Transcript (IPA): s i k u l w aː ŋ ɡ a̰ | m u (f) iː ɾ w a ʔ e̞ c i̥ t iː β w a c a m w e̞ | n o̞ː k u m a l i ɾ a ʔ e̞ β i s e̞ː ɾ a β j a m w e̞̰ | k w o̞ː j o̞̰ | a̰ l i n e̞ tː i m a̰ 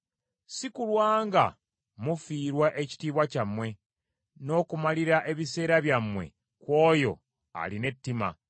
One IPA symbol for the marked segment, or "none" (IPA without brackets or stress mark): f